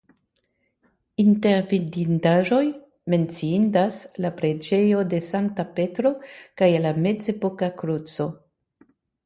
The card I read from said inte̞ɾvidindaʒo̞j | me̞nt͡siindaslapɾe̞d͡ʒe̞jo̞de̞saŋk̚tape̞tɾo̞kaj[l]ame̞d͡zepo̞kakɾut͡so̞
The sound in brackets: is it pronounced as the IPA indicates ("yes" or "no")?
yes